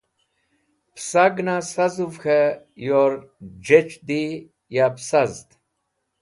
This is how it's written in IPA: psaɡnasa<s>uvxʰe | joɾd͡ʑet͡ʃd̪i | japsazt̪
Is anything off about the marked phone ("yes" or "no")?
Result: yes